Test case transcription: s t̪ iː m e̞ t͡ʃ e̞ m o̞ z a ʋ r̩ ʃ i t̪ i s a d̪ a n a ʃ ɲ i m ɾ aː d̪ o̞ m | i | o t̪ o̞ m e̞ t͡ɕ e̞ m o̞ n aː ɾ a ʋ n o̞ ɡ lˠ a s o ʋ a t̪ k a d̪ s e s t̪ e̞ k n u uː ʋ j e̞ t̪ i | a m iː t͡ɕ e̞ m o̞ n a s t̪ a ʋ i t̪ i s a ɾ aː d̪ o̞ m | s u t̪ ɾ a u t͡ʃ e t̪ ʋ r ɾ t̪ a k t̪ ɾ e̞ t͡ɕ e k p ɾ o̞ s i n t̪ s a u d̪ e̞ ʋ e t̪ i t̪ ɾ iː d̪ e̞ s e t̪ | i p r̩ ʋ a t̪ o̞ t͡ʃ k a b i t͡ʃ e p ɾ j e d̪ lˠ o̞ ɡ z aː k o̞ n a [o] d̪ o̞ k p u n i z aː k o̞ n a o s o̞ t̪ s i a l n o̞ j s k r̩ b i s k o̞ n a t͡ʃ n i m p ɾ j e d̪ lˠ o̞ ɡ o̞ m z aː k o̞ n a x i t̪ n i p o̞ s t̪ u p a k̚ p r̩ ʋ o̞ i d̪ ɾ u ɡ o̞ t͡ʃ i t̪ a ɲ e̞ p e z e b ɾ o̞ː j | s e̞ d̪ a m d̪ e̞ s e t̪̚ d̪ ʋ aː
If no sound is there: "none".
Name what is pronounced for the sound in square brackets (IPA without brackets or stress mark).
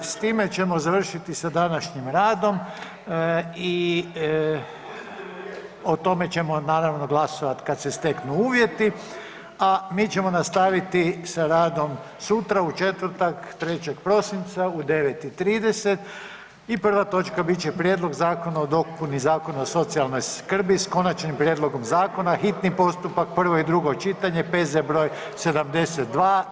o